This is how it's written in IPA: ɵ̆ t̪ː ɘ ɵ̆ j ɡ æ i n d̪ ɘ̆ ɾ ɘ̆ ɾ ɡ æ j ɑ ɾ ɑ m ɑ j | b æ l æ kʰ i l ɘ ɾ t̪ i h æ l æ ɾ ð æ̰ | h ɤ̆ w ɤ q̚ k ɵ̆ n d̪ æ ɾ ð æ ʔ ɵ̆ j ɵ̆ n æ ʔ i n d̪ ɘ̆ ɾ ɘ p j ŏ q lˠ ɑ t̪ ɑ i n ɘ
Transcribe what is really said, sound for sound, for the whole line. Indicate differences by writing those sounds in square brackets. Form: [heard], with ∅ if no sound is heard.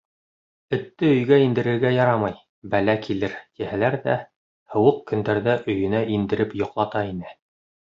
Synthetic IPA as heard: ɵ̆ t̪ː ɘ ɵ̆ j ɡ æ i n d̪ ɘ̆ ɾ ɘ̆ ɾ ɡ æ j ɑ ɾ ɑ m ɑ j | b æ l æ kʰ i l ɘ ɾ t̪ i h æ l æ ɾ ð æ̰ | h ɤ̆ w ɤ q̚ k ɵ̆ n d̪ æ ɾ ð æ ʔ ɵ̆ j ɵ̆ n æ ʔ i n d̪ ɘ̆ ɾ ɘ p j ŏ q lˠ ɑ t̪ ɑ i n ɘ

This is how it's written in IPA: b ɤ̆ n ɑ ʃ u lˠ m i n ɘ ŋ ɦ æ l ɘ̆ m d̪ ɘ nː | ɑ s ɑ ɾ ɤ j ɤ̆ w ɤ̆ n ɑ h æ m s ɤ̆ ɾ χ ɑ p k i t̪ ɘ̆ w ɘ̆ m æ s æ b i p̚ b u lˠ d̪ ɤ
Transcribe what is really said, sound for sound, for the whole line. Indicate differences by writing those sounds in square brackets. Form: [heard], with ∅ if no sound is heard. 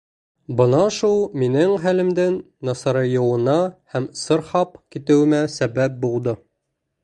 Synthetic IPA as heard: b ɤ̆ n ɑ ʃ u lˠ m i n ɘ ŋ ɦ æ l ɘ̆ m d̪ ɘ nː | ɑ s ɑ ɾ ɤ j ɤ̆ w ɤ̆ n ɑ h æ m s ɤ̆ ɾ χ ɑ p k i t̪ ɘ̆ w ɘ̆ m æ s æ b [æ] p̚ b u lˠ d̪ ɤ

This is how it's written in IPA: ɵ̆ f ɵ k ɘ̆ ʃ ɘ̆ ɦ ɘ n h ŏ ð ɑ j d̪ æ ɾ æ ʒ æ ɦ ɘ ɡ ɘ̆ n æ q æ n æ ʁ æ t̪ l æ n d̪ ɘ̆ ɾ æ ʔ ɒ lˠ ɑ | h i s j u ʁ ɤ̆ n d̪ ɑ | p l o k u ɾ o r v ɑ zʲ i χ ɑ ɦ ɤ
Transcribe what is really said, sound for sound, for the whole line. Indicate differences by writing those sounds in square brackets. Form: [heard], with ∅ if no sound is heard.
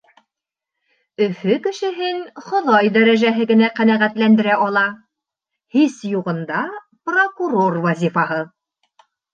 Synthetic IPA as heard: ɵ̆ f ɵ k ɘ̆ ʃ ɘ̆ ɦ ɘ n [χ] ŏ ð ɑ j d̪ æ ɾ æ ʒ æ ɦ ɘ ɡ ɘ̆ n æ q æ n æ ʁ æ t̪ l æ n d̪ ɘ̆ ɾ æ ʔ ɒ lˠ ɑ | h i s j u ʁ ɤ̆ n d̪ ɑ | p [r] o k u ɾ o r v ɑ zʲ i [f] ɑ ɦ ɤ

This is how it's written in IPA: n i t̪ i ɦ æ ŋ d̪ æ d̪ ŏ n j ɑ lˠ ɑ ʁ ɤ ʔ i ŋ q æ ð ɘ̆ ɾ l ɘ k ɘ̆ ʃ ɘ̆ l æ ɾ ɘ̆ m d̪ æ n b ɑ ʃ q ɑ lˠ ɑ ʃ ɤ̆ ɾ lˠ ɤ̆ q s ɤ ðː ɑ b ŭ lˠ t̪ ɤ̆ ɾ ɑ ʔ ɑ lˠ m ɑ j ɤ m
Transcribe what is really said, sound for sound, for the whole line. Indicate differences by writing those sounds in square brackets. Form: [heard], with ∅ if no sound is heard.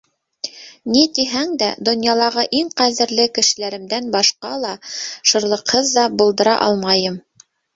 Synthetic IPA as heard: n i t̪ i ɦ æ ŋ d̪ æ d̪ ŏ n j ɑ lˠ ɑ ʁ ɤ ʔ i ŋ q æ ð ɘ̆ ɾ l ɘ k ɘ̆ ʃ ɘ̆ l æ ɾ ɘ̆ m d̪ æ n b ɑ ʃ q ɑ lˠ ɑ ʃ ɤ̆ ɾ lˠ ɤ̆ q [h] ɤ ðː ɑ b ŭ lˠ [d̪] ɤ̆ ɾ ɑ ʔ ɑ lˠ m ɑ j ɤ m

